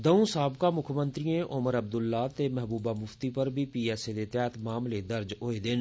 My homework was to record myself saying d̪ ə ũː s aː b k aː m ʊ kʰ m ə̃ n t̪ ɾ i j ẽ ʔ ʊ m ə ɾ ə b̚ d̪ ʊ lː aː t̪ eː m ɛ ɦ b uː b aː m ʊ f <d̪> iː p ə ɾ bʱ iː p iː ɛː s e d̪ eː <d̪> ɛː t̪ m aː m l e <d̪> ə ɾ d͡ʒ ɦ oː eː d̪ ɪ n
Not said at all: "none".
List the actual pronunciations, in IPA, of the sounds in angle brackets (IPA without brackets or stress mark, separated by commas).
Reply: t̪, t̪, d̪